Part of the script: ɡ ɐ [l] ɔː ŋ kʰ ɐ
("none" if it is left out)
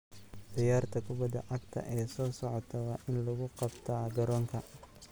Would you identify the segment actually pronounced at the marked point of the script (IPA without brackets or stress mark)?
ɾ